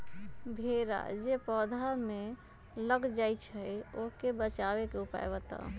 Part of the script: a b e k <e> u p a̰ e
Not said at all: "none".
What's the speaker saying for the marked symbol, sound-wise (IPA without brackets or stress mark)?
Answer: e